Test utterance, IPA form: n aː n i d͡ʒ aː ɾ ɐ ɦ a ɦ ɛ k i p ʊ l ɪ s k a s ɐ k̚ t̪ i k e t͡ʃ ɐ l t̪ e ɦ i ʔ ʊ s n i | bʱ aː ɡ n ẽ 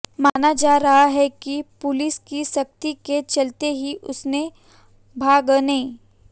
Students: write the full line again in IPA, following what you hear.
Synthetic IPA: m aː n a d͡ʒ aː ɾ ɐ ɦ a ɦ ɛ k i p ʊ l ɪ s k i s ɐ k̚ t̪ i k e t͡ʃ ɐ l t̪ e ɦ i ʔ ʊ s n e | bʱ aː ɡ n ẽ

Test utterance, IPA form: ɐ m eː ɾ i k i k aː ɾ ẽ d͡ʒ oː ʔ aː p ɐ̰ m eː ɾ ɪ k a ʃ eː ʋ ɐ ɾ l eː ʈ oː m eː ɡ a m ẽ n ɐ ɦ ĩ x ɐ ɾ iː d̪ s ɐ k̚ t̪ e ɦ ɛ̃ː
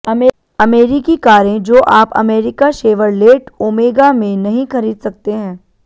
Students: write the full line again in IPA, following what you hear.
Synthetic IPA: ɐ m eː ɾ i k i k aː ɾ ẽ d͡ʒ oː ʔ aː p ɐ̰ m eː ɾ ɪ k a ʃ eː ʋ ə ɾ l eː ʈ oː m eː ɡ a m ẽ n ɐ ɦ ĩ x ɐ ɾ iː d̪ s ɐ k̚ t̪ e ɦ ɛ̃ː

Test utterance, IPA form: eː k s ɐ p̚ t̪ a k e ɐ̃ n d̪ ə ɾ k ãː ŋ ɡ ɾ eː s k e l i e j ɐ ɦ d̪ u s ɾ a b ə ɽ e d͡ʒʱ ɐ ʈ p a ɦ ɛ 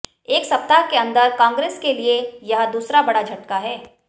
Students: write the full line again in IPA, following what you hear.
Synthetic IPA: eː k s ɐ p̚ t̪ a k e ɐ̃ n d̪ ə ɾ k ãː ŋ ɡ ɾ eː s k e l i e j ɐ ɦ d̪ uː s ɾ a b ɐ ɽ a d͡ʒʱ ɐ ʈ k a ɦ ɛː

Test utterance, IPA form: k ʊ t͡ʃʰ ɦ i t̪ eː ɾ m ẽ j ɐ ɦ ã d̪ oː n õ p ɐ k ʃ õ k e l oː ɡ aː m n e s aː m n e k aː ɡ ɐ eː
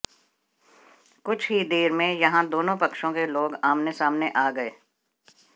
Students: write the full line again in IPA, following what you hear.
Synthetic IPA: k ʊ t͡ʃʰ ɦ i d̪ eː ɾ m ẽ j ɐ ɦ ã d̪ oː n õ p ɐ k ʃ õ k e l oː ɡ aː m n e s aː m n e ʔ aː ɡ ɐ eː

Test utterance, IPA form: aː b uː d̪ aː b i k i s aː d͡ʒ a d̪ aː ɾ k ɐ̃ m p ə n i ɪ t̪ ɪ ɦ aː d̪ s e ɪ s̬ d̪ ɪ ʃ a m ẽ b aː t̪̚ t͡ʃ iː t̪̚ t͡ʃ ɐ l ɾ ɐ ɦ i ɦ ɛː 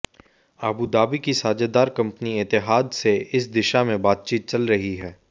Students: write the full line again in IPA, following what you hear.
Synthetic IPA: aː b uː d̪ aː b i k i s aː d͡ʒ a d̪ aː ɾ k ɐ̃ m p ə n i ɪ t̪ ɪ ɦ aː d̪ s e ɪ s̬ d̪ ɪ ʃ a m ẽ b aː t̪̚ t͡ʃ iː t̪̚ t͡ʃ ɐ l ɾ ɐ ɦ i ɦ ɛː

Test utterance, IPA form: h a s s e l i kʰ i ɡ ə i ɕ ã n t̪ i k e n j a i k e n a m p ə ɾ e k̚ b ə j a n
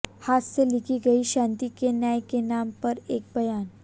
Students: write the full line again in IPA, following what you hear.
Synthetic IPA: h a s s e l i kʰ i ɡ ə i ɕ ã n t̪ i k e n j a j k e n a m p ə ɾ e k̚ b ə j a n

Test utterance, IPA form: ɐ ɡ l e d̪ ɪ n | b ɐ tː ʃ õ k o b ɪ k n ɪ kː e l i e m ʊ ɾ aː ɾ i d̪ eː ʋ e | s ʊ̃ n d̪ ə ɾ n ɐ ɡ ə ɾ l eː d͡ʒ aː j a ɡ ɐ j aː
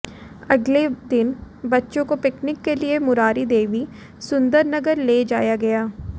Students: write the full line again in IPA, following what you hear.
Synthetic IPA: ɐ ɡ l e d̪ ɪ n | b ɐ tː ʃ õ k o p ɪ k n ɪ kː e l i e m ʊ ɾ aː ɾ i d̪ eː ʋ i | s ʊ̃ n d̪ ə ɾ n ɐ ɡ ə ɾ l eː d͡ʒ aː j a ɡ ɐ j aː

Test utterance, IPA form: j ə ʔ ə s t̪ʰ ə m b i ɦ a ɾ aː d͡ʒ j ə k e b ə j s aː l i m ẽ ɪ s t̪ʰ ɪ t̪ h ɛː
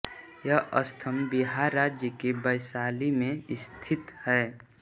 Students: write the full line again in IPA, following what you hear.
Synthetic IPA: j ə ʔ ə s t̪ʰ ə m b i ɦ a ɾ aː d͡ʒ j ə k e b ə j s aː l i m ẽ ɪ s t̪ʰ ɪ t̪ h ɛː

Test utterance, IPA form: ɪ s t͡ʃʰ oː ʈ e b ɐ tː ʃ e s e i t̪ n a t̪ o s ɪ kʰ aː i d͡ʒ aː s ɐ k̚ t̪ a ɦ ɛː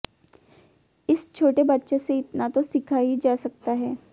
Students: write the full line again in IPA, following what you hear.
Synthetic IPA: ɪ s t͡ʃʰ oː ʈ e b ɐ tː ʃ e s e ɪ t̪ n a t̪ o s ɪ kʰ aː i d͡ʒ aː s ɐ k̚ t̪ a ɦ ɛː

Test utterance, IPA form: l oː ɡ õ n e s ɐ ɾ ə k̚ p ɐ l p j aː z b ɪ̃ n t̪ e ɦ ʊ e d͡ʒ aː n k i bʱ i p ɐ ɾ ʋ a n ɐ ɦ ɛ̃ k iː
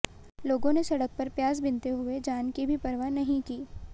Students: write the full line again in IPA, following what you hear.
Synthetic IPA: l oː ɡ õ n e s ɐ ɽ ə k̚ p ɐ ɾ p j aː z b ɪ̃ n t̪ e ɦ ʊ e d͡ʒ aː n k i bʱ i p ɐ ɾ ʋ a n ɐ ɦ ĩ k iː

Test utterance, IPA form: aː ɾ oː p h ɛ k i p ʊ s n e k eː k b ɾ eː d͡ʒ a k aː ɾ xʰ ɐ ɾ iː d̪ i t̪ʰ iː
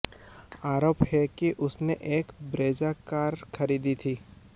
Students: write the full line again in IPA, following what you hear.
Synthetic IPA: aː ɾ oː p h ɛ k i ʔ ʊ s n e ʔ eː k b ɾ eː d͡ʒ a k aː ɾ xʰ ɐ ɾ iː d̪ i t̪ʰ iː

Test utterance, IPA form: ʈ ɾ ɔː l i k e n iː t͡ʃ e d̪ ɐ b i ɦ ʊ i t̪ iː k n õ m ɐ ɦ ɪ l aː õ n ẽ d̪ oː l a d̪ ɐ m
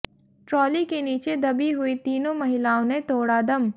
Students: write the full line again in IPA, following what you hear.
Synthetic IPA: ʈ ɾ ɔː l i k e n iː t͡ʃ e d̪ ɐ b i ɦ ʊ i t̪ iː n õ m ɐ ɦ ɪ l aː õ n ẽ t̪ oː ɽ a d̪ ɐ m

